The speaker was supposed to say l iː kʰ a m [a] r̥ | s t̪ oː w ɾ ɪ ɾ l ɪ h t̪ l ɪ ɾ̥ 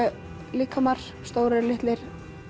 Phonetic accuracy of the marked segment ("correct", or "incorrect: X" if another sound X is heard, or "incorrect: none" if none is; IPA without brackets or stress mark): correct